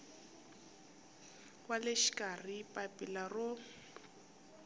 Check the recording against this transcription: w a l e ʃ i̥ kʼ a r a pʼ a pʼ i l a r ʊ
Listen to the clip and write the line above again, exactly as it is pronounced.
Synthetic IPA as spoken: w a l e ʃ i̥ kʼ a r i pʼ a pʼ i l a r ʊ